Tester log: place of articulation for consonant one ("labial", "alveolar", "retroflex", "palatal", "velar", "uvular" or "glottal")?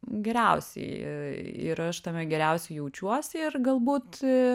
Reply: velar